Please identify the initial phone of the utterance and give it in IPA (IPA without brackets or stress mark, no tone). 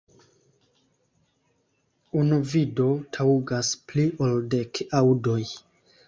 u